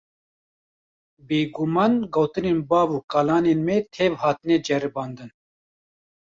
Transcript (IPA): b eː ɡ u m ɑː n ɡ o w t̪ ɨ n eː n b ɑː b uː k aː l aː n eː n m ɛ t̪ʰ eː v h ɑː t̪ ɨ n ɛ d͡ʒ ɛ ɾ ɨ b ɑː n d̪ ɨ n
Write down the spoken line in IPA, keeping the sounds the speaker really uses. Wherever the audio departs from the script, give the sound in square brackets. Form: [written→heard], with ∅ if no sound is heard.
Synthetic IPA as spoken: b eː ɡ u m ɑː n ɡ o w t̪ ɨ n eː n b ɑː [b→v] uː k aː l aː n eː n m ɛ t̪ʰ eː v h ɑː t̪ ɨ n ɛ d͡ʒ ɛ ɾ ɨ b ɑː n d̪ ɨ n